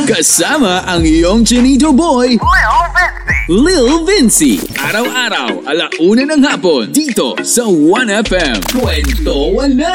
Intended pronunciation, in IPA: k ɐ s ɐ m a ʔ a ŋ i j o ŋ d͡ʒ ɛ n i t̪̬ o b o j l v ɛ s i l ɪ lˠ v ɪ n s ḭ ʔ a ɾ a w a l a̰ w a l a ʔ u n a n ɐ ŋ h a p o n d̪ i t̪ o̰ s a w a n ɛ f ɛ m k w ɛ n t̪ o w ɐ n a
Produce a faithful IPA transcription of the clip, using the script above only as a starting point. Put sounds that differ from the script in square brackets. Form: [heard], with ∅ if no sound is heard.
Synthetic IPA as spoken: k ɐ s [a] m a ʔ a ŋ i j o ŋ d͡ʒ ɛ n i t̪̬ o b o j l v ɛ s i l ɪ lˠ v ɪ n s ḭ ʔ a ɾ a w a [ɾ] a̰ w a l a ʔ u n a n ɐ ŋ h a p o n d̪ i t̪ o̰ s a w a n ɛ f ɛ m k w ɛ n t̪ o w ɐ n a